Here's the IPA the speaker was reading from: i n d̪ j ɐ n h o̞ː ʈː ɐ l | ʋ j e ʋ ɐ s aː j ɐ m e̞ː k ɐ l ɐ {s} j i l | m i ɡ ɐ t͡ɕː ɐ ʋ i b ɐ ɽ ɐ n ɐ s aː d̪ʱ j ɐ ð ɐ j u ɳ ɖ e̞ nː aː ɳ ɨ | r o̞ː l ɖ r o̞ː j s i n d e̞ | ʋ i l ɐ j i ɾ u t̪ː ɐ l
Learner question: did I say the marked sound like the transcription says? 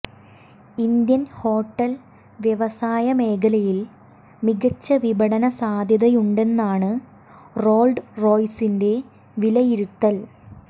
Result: no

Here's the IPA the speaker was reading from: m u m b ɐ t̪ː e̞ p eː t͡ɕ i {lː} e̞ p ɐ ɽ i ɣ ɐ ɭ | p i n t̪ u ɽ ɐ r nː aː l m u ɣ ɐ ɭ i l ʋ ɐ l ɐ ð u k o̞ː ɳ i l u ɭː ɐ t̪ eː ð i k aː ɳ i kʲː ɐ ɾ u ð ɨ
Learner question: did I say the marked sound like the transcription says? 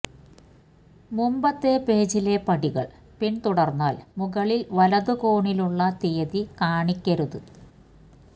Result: no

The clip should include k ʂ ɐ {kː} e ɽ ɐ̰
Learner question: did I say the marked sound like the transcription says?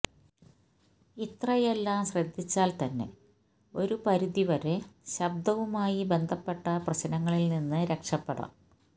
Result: no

